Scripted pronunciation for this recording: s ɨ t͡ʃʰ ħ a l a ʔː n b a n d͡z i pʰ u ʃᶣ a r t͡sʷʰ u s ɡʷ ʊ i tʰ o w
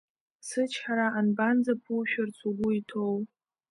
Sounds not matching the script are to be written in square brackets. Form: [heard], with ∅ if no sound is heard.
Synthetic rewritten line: s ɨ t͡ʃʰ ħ a [ɾ] a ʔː n b a n d͡z [a] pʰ u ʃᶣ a r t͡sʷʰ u [∅] ɡʷ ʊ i tʰ o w